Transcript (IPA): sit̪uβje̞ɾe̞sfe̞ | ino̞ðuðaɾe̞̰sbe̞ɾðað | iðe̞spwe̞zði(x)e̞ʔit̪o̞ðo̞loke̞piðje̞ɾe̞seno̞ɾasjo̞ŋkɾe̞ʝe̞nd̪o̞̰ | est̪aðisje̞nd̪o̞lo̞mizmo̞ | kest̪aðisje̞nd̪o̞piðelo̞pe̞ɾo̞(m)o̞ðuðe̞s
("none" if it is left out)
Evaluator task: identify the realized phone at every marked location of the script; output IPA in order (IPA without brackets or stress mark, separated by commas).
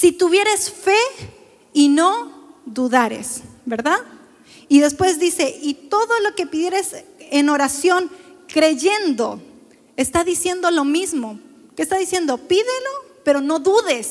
s, n